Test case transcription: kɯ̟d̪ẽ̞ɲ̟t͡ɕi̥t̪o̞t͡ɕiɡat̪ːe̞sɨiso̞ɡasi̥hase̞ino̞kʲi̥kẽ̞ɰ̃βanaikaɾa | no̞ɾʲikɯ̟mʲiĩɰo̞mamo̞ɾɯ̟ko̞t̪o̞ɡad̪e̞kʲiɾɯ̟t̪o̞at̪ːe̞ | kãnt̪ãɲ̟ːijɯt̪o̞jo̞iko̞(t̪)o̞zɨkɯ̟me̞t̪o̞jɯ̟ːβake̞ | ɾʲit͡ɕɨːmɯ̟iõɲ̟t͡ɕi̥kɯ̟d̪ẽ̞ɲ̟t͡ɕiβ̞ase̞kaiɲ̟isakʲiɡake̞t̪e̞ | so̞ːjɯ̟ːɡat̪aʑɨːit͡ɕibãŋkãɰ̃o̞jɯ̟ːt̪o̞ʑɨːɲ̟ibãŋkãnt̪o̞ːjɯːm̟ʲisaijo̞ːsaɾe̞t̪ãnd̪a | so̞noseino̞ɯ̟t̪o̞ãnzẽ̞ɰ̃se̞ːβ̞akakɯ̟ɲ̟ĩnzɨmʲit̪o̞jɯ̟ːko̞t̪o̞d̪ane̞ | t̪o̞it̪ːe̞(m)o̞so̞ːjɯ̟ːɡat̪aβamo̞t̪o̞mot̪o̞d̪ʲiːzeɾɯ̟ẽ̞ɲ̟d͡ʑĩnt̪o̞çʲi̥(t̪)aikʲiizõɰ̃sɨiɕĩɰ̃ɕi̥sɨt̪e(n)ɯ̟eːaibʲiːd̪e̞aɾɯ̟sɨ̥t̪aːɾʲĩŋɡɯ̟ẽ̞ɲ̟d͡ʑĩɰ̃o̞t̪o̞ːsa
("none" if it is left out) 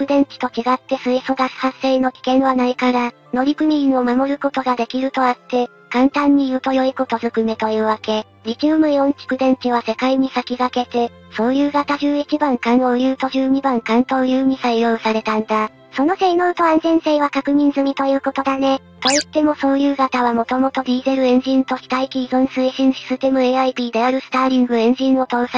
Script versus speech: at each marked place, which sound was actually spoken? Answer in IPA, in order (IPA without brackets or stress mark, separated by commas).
t̪, m, t̪, m